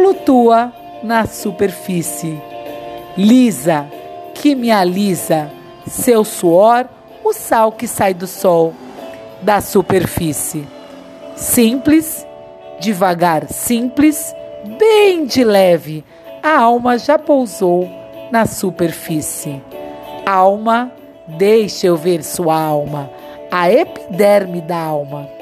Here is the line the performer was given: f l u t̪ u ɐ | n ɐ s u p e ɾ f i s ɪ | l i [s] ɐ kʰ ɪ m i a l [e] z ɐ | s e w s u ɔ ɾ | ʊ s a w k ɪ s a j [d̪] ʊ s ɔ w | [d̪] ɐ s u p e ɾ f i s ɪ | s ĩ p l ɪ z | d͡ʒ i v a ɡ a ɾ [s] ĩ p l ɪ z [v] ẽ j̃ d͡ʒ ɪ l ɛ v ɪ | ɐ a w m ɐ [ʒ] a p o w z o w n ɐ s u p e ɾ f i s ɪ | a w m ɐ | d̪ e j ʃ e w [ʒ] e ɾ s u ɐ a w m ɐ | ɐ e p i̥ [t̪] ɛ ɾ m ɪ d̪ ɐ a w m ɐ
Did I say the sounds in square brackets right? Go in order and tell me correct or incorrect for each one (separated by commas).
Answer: incorrect, incorrect, correct, correct, correct, incorrect, correct, incorrect, incorrect